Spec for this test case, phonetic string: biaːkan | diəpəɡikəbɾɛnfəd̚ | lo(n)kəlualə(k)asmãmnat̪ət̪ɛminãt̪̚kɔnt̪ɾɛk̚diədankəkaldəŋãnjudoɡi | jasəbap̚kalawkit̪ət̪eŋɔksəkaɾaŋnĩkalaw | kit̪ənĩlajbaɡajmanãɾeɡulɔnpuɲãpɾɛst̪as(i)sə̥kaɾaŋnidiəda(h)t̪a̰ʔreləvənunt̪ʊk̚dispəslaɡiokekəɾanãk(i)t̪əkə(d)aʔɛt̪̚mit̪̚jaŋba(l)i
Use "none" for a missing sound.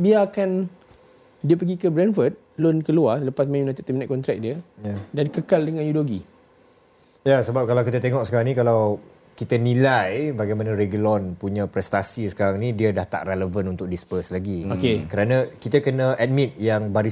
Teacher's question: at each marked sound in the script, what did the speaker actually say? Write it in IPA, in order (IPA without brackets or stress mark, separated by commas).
n, p, i, h, i, n, ɾ